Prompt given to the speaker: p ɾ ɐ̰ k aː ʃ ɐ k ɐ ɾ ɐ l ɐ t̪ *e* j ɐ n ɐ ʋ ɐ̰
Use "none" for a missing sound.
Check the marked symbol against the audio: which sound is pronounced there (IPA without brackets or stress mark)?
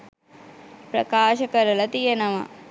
i